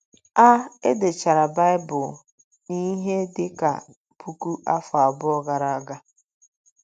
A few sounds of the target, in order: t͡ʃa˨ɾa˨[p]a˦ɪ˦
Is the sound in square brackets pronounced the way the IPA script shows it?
no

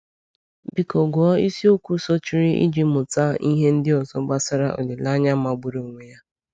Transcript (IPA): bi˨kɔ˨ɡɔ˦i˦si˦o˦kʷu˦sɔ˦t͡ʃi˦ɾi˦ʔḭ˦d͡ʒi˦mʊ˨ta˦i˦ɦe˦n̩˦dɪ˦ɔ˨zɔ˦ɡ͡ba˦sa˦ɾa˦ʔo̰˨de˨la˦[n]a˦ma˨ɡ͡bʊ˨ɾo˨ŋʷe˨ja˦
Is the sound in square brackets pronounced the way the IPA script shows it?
no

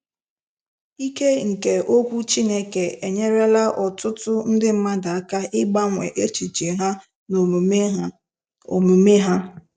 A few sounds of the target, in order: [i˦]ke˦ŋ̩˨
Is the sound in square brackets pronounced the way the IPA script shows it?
yes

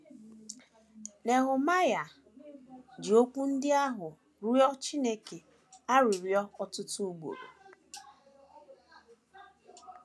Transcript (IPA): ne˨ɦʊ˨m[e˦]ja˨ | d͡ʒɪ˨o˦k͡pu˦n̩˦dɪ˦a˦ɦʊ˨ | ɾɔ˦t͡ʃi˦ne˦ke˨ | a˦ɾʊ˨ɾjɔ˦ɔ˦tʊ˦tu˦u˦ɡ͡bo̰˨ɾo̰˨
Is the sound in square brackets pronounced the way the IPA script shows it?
no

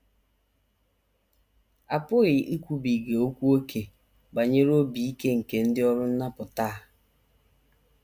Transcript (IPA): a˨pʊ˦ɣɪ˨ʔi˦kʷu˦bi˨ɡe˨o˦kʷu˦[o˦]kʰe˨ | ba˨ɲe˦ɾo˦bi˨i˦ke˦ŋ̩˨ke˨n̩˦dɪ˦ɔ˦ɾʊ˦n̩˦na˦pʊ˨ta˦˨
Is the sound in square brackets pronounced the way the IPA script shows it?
yes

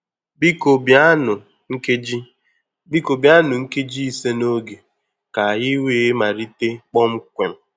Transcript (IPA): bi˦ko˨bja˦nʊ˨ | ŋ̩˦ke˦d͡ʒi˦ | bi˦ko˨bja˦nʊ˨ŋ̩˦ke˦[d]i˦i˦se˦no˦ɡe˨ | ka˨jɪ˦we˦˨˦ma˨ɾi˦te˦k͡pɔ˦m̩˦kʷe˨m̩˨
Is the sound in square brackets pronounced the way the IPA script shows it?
no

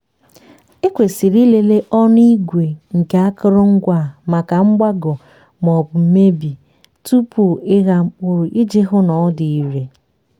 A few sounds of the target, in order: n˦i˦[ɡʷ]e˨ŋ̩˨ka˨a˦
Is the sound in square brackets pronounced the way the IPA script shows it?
yes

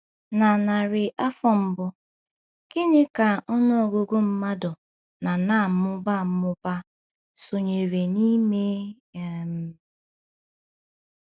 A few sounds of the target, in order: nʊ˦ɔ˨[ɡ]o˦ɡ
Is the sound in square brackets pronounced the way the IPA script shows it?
yes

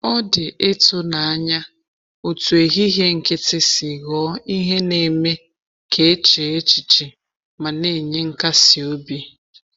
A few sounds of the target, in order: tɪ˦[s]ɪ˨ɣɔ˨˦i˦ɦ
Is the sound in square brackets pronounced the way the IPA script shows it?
yes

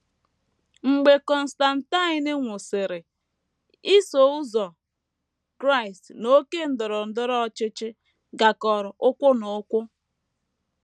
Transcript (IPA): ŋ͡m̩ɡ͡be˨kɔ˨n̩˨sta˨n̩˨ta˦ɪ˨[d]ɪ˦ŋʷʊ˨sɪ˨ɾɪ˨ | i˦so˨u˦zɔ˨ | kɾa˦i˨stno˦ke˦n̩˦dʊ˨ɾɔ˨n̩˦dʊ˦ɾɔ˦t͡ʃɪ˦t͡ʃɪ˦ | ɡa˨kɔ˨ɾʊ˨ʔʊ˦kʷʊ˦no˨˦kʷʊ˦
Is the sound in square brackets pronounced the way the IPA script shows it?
no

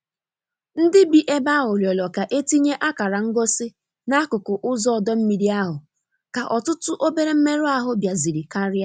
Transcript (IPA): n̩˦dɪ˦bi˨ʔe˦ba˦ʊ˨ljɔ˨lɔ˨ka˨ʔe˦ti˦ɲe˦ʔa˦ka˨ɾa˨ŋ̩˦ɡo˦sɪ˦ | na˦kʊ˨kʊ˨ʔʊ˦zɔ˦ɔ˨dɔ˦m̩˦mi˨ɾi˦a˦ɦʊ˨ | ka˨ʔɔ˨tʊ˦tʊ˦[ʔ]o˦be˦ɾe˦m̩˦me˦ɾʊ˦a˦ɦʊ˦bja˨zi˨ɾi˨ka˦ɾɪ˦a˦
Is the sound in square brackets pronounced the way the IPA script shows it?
yes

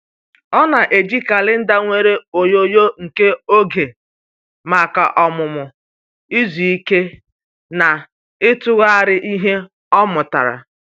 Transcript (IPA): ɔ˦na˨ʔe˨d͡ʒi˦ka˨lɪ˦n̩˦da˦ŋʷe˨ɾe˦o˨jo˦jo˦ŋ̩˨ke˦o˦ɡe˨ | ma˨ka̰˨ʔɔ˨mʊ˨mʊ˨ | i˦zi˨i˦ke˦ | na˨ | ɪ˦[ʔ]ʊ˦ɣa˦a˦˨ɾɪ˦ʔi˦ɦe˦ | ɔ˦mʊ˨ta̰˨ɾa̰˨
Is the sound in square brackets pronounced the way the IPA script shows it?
no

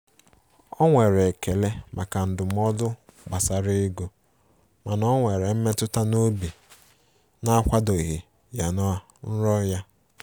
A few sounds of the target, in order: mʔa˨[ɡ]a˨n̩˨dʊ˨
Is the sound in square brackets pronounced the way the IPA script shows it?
no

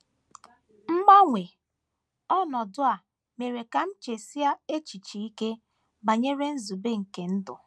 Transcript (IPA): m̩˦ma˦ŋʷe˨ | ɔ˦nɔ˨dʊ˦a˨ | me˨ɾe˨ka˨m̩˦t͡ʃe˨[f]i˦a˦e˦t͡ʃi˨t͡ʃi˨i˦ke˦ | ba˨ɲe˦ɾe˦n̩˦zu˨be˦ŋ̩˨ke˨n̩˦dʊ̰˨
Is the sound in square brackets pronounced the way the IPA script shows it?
no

